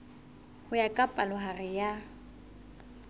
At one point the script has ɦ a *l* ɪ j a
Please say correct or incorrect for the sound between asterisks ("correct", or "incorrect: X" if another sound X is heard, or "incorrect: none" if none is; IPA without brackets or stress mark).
incorrect: r